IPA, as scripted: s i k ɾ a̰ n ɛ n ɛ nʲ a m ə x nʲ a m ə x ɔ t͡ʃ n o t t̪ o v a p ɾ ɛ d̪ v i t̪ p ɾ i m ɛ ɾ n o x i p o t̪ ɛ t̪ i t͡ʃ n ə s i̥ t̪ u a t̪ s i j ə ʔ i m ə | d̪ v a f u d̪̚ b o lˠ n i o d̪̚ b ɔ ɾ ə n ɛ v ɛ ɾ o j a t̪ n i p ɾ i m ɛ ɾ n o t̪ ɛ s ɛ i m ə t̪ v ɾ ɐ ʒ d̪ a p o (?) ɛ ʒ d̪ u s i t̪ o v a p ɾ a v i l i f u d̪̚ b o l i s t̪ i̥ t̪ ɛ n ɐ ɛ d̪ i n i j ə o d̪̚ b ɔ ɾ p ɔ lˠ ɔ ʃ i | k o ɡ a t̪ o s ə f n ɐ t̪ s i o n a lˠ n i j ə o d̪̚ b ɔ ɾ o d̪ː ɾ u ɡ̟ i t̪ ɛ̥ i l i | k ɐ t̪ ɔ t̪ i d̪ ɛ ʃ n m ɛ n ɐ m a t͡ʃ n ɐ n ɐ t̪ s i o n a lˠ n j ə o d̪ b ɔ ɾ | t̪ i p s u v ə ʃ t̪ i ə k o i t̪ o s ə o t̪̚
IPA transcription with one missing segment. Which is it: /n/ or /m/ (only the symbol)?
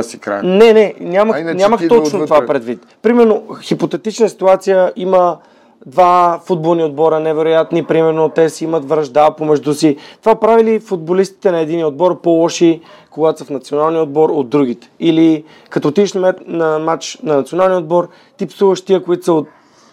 m